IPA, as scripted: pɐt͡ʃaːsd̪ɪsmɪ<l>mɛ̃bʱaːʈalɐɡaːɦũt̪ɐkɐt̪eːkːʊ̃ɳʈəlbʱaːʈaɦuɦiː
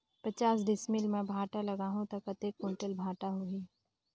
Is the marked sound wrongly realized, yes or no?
no